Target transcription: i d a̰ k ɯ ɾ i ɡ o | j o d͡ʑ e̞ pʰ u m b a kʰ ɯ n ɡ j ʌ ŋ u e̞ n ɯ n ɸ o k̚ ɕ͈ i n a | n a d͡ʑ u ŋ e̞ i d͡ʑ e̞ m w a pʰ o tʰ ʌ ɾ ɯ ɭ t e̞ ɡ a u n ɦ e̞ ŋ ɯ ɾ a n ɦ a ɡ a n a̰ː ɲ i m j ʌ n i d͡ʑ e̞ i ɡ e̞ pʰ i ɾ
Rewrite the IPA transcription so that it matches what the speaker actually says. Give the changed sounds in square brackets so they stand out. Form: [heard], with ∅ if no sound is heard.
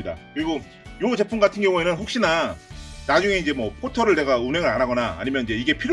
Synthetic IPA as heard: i d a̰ k ɯ ɾ i ɡ o | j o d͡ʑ e̞ pʰ u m [ɡ] a [tʰ] ɯ n ɡ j ʌ ŋ u e̞ n ɯ n ɸ o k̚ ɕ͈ i n a | n a d͡ʑ u ŋ e̞ i d͡ʑ e̞ m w [ʌ] pʰ o tʰ ʌ ɾ ɯ ɭ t e̞ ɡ a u n ɦ e̞ ŋ ɯ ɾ a n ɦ a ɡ [ʌ] n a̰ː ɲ i m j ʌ n i d͡ʑ e̞ i ɡ e̞ pʰ i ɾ